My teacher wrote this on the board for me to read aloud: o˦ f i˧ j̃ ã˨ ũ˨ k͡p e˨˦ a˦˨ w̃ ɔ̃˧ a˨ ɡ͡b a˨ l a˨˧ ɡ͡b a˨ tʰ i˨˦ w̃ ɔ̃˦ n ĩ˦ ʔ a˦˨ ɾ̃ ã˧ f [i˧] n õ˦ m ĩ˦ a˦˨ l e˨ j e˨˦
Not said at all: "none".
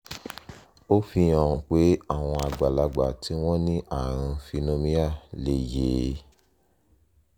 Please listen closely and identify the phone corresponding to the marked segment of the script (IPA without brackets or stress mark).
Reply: i˧